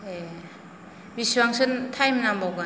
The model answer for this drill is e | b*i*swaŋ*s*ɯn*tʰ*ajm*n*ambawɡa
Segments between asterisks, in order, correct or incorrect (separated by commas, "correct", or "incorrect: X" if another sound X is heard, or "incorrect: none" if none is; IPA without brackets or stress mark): correct, correct, correct, correct